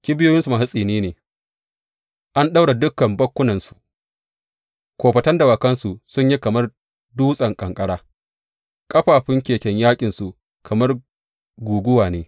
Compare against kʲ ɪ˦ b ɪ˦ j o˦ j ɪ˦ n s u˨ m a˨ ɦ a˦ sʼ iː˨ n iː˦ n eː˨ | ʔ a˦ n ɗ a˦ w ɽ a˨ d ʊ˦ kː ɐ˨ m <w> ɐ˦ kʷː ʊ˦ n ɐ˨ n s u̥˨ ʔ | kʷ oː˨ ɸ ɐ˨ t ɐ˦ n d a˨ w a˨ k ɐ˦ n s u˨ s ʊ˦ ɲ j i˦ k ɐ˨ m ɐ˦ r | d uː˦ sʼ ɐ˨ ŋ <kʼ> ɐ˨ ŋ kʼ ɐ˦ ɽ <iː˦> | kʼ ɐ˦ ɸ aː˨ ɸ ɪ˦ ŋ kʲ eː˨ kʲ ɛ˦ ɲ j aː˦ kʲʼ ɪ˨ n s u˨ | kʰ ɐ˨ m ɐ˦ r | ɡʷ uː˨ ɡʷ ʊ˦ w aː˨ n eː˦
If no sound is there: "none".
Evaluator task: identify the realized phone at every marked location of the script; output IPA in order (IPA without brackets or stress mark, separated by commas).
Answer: b, kʼ, aː˦